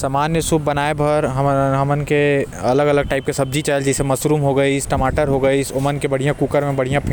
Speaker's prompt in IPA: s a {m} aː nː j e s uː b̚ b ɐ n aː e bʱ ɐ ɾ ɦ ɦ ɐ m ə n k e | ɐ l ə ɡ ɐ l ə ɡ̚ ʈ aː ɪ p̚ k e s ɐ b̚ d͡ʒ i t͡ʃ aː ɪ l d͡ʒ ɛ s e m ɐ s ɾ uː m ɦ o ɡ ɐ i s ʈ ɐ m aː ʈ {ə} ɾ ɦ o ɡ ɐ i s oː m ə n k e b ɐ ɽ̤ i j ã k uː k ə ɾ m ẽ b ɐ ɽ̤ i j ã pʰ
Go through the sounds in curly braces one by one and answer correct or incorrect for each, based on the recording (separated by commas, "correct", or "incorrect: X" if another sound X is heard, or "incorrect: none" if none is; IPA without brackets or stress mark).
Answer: correct, correct